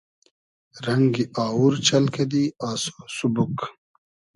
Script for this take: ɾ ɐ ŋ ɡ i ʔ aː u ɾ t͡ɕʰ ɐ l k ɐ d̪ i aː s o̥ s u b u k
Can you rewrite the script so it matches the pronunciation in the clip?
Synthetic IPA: ɾ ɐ ŋ ɡ i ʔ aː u ɾ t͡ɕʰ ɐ l k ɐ d̪ i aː s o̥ s u b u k